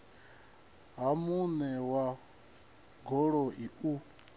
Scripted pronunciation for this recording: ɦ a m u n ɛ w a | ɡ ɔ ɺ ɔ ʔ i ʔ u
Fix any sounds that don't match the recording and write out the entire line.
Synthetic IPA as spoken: ɦ a m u n ɛ w a | ɡ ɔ ɺ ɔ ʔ i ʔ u